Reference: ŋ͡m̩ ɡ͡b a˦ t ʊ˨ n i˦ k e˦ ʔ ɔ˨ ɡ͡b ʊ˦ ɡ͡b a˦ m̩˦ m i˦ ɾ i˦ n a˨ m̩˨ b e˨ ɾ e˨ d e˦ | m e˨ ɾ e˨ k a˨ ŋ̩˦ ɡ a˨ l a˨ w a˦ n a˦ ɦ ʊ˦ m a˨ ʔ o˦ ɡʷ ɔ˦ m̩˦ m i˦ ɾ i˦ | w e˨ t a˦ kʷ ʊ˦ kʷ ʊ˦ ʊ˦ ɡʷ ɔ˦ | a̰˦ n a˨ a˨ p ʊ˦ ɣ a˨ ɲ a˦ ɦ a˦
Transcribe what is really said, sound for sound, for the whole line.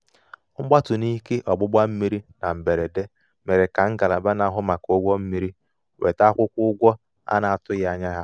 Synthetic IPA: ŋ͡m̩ ɡ͡b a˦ t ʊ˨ n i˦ k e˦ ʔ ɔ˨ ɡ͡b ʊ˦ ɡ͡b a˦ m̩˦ m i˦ ɾ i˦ n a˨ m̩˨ b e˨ ɾ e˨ d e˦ | m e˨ ɾ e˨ k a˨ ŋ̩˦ ɡ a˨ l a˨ b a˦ n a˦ ɦ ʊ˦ m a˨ k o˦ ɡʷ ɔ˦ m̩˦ m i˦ ɾ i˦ | w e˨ t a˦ kʷ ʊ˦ kʷ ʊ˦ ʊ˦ ɡʷ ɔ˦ | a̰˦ n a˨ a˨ t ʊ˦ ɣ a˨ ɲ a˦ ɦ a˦